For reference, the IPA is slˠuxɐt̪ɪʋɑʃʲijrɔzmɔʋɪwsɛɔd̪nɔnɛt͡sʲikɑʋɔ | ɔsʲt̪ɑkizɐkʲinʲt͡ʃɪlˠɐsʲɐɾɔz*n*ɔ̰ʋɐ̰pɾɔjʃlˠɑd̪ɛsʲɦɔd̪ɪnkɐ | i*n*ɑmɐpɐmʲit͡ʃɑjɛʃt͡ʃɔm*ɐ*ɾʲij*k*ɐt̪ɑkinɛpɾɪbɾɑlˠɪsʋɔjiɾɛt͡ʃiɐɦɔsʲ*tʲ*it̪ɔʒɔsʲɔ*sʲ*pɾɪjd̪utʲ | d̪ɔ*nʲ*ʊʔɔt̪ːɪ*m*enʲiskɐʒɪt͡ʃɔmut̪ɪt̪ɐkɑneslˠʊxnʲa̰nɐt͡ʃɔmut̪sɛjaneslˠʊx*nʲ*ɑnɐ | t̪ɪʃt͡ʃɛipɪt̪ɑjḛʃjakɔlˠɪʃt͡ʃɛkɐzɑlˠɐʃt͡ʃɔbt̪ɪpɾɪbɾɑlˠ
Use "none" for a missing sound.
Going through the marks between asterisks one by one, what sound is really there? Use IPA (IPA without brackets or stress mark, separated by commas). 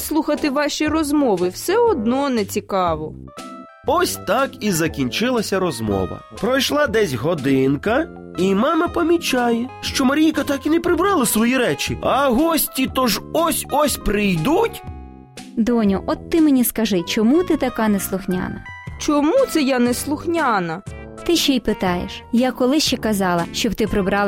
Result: m, m, ɐ, k, tʲ, sʲ, nʲ, m, nʲ